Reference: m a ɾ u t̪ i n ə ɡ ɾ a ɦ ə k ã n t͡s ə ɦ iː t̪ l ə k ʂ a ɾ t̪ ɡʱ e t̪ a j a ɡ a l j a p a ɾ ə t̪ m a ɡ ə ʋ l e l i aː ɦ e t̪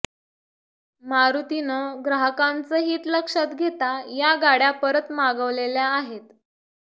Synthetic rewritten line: m a ɾ u t̪ i n ə ɡ ɾ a ɦ ə k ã n t͡s ə ɦ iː t̪ l ə k ʂ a t̪ ɡʱ e t̪ a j a ɡ a ɽ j a p ə ɾ ə t̪ m a ɡ ə ʋ l e l j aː ɦ e t̪